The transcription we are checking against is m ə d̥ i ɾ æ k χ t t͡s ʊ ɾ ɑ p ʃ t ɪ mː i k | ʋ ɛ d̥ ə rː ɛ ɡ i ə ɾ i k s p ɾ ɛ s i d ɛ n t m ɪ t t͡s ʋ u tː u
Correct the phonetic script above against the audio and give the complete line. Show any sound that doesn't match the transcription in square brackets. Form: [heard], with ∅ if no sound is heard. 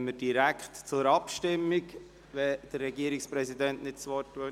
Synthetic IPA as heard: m ə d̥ i ɾ æ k χ t t͡s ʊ ɾ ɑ p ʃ t ɪ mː i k | ʋ ɛ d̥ ə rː ɛ ɡ i ə ɾ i k s p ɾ ɛ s i d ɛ n t [n] ɪ t t͡s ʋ [ɔ] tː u